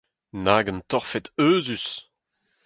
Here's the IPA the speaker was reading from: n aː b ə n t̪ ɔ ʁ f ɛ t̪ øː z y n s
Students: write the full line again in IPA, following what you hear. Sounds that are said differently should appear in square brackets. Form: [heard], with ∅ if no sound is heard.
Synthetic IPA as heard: n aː [ɡ] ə n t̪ ɔ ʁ f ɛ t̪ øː z y [∅] s